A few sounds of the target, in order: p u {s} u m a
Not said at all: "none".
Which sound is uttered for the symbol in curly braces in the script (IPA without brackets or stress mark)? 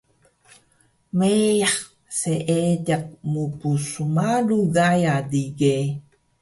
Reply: s